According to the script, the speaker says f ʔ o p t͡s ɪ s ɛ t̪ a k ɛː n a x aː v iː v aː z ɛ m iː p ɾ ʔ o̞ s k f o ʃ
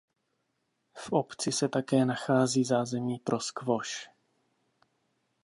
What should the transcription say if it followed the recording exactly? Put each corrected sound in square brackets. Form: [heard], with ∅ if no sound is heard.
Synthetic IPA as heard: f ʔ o p t͡s ɪ s ɛ t̪ a k ɛː n a x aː [z] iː [z] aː z ɛ m iː p ɾ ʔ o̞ s k [v] o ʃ

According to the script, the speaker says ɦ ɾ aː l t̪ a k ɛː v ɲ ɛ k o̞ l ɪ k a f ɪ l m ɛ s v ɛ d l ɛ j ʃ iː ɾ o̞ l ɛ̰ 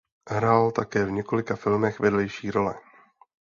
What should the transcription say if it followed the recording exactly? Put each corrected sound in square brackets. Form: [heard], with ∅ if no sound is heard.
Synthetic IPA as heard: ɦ ɾ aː l t̪ a k ɛː v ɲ ɛ k o̞ l ɪ k a f ɪ l m ɛ [x] v ɛ d l ɛ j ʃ iː ɾ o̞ l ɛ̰

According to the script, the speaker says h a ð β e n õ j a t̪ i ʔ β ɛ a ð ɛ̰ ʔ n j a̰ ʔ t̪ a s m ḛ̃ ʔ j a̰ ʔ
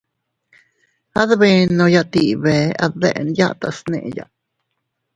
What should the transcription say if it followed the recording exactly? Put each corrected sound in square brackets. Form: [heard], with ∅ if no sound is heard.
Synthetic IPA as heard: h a ð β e n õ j a t̪ i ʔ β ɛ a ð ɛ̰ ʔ n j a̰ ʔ t̪ a s [n] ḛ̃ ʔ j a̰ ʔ

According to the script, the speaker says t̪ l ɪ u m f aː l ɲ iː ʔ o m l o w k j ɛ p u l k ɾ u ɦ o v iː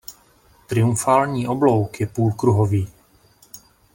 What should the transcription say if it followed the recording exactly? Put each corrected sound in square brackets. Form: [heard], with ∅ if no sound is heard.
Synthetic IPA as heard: t̪ [ɾ] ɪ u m f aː l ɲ iː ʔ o [b] l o w k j ɛ p [uː] l k ɾ u ɦ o v iː

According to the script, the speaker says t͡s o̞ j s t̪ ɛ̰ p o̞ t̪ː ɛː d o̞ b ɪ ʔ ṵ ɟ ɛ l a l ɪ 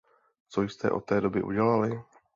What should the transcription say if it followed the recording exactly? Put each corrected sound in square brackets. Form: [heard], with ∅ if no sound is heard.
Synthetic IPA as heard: t͡s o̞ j s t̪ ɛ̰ [ʔ] o̞ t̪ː ɛː d o̞ b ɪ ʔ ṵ ɟ ɛ l a l ɪ

